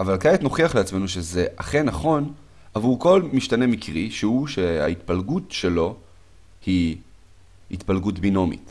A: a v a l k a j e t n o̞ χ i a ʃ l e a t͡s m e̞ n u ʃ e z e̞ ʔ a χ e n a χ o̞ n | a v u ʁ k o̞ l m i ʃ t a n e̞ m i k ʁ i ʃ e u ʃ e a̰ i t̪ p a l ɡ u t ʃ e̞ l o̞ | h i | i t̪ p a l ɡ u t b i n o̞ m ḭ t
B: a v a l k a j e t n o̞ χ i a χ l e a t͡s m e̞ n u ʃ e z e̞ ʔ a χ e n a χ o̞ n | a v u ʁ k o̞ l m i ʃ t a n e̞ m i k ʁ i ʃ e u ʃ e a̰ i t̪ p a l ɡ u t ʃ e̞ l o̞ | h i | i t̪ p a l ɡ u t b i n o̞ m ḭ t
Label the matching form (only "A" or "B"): B